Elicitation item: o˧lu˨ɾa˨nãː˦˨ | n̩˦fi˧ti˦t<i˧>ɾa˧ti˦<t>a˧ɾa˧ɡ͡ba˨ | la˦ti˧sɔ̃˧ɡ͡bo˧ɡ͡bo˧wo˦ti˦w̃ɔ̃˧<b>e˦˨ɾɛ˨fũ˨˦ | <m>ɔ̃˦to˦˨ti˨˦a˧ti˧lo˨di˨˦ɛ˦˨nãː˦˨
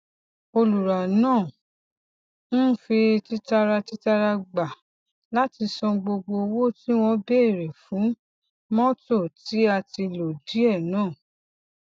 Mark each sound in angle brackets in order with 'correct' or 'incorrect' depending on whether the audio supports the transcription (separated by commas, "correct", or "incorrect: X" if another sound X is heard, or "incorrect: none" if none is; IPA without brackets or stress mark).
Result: incorrect: a˧, correct, correct, correct